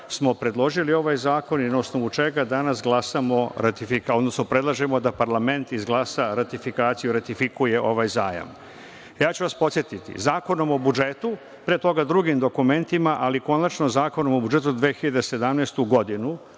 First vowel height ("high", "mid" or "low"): mid